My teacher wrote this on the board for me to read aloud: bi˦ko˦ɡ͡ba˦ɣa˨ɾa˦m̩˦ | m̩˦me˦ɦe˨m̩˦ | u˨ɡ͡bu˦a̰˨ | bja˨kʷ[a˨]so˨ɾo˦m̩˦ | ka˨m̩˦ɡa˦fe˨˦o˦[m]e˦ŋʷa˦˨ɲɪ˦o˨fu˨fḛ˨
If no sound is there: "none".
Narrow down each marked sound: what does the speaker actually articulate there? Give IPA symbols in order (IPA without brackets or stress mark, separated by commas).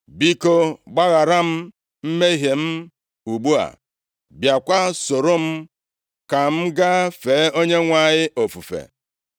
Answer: a˦, ɲ